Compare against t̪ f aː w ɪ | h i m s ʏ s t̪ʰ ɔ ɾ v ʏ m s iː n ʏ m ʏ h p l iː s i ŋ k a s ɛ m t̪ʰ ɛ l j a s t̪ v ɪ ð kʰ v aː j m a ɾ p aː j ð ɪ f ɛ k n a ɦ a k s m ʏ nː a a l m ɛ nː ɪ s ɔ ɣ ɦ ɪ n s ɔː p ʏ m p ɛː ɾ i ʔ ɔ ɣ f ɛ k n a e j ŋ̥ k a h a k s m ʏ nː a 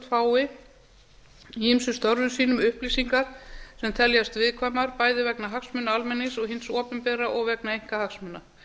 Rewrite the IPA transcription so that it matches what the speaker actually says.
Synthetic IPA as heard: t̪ f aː w ɪ | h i m s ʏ s t̪ ɔ ɾ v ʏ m s iː n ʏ m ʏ h p l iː s i ŋ k a s ɛ m t̪ʰ ɛ l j a s t̪ v ɪ ð kʰ v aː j m a ɾ p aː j ð ɪ v ɛ k n a ɦ a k s m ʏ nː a a l m ɛ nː ɪ s ɔ ɣ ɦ ɪ n s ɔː p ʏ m p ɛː ɾ a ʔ ɔ ɣ v ɛ k n a e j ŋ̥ k a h a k s m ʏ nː a